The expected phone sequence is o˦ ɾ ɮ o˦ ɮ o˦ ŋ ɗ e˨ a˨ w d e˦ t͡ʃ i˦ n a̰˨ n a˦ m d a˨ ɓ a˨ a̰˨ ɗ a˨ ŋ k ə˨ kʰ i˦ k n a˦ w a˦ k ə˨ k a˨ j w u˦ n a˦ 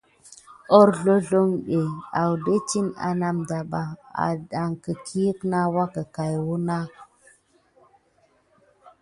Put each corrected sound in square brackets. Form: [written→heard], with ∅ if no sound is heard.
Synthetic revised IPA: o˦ ɾ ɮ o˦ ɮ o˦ ŋ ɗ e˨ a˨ w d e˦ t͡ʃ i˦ n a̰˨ n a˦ m d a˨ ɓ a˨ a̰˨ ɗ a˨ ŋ k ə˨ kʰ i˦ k n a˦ w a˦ k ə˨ k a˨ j w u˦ n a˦